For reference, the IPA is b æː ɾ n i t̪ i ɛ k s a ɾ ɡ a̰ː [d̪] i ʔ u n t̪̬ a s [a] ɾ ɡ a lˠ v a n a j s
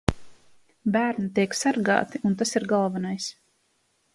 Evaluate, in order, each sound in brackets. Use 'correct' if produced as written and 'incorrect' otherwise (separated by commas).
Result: incorrect, incorrect